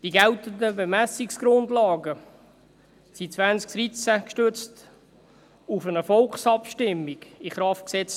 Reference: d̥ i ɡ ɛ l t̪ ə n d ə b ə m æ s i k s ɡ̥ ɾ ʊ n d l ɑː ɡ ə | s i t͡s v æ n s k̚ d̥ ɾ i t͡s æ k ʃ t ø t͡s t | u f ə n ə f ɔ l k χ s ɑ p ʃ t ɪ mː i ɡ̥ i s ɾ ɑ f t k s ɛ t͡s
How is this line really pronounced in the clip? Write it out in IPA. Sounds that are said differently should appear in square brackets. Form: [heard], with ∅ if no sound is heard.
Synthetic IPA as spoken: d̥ i ɡ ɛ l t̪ ə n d ə b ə m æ s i k s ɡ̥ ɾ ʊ n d l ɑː ɡ ə | s i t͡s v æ n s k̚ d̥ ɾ i t͡s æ k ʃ t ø t͡s t | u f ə n ə f ɔ l k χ s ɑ p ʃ t ɪ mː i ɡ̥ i [χ] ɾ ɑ f t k s ɛ t͡s